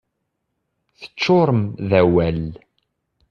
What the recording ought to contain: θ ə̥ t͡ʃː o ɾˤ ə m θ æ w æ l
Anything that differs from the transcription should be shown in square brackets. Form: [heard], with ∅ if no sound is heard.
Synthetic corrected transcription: θ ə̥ t͡ʃː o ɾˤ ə m [ð] æ w æ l